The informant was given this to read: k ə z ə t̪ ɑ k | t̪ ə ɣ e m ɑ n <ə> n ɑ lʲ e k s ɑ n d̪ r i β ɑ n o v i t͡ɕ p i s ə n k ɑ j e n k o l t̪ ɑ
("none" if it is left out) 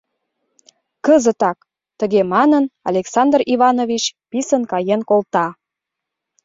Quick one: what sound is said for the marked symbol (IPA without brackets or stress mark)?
ə